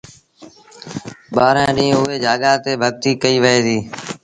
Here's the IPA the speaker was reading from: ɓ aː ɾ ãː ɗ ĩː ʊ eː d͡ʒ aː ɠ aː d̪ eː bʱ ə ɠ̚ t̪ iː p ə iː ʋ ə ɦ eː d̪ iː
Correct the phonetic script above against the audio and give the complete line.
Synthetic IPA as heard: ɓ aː ɾ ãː ɗ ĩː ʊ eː d͡ʒ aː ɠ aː t̪ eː bʱ ə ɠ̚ t̪ iː k ə iː ʋ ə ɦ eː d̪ iː